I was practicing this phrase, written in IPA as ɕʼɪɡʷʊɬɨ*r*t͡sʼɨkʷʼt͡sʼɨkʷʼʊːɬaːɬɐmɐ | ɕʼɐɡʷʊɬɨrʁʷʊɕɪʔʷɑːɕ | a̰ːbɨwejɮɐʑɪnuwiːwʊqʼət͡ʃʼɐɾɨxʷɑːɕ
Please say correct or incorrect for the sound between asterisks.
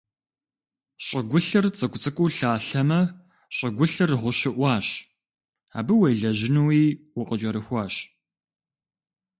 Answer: correct